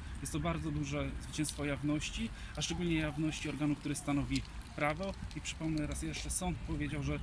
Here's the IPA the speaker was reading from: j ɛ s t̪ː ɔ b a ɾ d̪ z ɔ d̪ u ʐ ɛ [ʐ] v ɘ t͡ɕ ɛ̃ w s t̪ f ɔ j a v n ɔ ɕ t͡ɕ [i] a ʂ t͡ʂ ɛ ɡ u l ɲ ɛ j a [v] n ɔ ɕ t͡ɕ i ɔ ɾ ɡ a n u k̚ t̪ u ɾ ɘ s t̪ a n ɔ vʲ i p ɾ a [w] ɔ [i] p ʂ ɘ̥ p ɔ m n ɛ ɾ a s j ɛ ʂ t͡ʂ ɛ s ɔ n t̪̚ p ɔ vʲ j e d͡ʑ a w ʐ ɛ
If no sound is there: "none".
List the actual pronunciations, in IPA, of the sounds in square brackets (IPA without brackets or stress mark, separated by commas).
z, i, v, v, i